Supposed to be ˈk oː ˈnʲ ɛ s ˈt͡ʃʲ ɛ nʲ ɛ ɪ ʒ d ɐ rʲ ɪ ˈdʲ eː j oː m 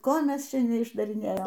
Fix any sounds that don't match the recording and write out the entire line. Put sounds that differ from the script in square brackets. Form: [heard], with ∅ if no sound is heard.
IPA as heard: ˈk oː [ˈmʲ] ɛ s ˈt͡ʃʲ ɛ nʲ ɛ ɪ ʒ d ɐ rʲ ɪ [ˈnʲ] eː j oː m

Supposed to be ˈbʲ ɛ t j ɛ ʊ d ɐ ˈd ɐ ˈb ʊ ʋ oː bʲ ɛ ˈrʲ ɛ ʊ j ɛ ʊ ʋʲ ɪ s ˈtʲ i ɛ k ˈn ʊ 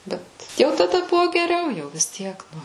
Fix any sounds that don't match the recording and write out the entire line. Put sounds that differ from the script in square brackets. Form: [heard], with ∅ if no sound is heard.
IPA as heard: ˈbʲ ɛ t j ɛ ʊ [t] ɐ ˈd ɐ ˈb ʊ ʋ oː [ɡʲ] ɛ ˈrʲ ɛ ʊ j ɛ ʊ ʋʲ ɪ s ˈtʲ i ɛ k ˈn ʊ

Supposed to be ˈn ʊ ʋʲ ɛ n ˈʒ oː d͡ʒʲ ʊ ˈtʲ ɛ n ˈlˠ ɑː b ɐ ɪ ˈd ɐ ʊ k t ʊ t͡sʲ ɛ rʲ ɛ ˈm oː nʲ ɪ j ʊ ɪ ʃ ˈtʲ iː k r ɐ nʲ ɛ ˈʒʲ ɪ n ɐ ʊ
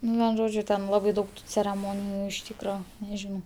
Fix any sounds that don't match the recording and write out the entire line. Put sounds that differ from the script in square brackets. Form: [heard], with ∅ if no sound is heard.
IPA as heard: ˈn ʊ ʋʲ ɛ n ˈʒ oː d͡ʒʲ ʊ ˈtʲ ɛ n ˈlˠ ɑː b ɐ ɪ ˈd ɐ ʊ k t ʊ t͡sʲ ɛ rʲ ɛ ˈm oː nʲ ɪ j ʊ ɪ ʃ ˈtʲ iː k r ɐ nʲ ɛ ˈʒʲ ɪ n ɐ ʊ

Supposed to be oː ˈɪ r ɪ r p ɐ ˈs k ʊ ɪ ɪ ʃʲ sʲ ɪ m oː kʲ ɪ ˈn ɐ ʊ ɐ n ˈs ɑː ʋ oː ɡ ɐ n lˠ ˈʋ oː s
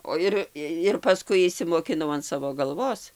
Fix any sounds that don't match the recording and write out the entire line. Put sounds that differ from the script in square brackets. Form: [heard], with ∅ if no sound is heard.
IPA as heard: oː ˈɪ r ɪ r p ɐ ˈs k ʊ ɪ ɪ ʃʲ sʲ ɪ m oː kʲ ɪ ˈn ɐ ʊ ɐ n ˈs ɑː ʋ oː ɡ ɐ [∅] lˠ ˈʋ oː s

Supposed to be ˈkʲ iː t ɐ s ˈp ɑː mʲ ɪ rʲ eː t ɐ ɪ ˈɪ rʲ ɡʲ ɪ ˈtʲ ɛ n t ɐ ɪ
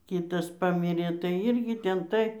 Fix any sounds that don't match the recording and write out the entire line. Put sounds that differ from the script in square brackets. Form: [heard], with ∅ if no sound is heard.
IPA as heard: ˈkʲ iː t ɐ s ˈp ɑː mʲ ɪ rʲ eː t ɐ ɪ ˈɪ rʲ ɡʲ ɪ ˈtʲ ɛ n t ɐ ɪ

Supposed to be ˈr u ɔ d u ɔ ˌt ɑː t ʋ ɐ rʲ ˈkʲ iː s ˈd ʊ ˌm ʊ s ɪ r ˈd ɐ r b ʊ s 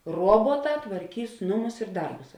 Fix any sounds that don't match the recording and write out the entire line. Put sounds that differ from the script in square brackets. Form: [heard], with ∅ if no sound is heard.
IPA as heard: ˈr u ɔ [b] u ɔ ˌt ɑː t ʋ ɐ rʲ ˈkʲ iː s [ˈn] ʊ ˌm ʊ s ɪ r ˈd ɐ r b ʊ s

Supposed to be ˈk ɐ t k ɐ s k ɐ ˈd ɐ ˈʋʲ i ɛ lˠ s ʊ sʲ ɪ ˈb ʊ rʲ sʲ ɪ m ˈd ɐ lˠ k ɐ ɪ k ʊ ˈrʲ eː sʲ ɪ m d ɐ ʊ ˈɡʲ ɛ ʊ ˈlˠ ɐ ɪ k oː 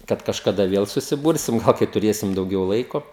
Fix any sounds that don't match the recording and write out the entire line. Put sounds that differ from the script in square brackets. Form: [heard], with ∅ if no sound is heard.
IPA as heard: ˈk ɐ t k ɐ [ʃ] k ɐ ˈd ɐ ˈʋʲ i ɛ lˠ s ʊ sʲ ɪ ˈb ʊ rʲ sʲ ɪ m [ˈɡ] ɐ lˠ k ɐ ɪ [t] ʊ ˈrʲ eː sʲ ɪ m d ɐ ʊ ˈɡʲ ɛ ʊ ˈlˠ ɐ ɪ k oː

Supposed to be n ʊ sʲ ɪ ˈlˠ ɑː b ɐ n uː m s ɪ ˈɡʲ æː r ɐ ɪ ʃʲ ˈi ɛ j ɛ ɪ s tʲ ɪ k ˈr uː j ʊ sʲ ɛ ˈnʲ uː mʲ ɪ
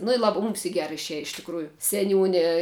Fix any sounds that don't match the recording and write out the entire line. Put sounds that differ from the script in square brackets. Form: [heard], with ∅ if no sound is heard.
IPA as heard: n ʊ [∅] ɪ ˈlˠ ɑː b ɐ [m] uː m s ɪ ˈɡʲ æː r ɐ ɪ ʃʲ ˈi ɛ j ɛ ɪ [ʃ] tʲ ɪ k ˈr uː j ʊ sʲ ɛ ˈnʲ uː [nʲ] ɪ

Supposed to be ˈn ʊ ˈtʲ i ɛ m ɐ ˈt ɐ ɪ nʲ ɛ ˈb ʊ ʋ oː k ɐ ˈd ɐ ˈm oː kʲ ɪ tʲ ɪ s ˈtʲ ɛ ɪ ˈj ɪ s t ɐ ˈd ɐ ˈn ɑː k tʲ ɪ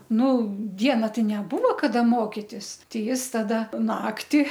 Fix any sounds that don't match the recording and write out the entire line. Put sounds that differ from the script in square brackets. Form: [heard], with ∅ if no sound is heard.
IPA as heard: ˈn ʊ [ˈdʲ] i ɛ [n] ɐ ˈt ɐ ɪ nʲ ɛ ˈb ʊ ʋ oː k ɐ ˈd ɐ ˈm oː kʲ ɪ tʲ ɪ s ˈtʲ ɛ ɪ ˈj ɪ s t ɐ ˈd ɐ ˈn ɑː k tʲ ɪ

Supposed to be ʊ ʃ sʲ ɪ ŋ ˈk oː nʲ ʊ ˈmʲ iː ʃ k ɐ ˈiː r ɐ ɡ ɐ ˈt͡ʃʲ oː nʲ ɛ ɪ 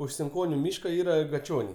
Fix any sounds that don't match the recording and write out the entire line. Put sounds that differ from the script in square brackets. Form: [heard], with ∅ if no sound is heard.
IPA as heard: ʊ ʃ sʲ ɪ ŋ ˈk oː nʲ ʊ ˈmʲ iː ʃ k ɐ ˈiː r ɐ ɡ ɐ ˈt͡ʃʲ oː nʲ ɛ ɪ

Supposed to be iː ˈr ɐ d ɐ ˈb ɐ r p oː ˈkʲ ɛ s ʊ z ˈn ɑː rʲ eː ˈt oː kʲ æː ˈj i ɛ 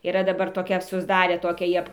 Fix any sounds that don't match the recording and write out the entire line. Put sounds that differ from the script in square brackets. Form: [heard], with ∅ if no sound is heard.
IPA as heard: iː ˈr ɐ d ɐ ˈb ɐ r [t] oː ˈkʲ ɛ s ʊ z [ˈd] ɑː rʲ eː ˈt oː kʲ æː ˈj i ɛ

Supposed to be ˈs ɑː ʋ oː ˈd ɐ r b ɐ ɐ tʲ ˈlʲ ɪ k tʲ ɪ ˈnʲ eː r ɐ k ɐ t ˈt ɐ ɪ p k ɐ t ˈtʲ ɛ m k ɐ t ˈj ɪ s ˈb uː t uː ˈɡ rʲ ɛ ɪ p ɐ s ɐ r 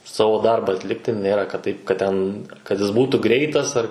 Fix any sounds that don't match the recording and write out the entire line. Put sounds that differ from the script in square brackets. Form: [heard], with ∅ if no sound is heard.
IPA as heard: ˈs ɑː ʋ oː ˈd ɐ r b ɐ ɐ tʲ ˈlʲ ɪ k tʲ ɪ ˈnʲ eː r ɐ k ɐ t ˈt ɐ ɪ p k ɐ t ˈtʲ ɛ [n] k ɐ t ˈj ɪ s ˈb uː t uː ˈɡ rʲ ɛ ɪ [t] ɐ s ɐ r

